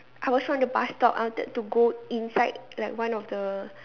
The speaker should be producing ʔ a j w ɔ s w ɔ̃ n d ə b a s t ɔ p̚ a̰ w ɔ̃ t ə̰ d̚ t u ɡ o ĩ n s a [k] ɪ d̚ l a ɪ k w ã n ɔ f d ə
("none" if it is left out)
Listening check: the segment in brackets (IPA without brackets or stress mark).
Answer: none